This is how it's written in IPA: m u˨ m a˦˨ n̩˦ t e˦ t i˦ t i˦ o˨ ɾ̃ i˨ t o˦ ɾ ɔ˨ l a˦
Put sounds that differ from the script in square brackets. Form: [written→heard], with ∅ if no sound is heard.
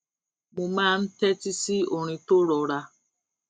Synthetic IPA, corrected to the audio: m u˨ m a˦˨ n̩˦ t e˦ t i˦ [t→s] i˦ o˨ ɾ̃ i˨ t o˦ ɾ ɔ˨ [l→ɾ] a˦